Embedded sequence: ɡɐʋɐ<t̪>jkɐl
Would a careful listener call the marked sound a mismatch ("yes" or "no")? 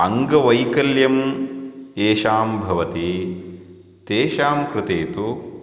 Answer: yes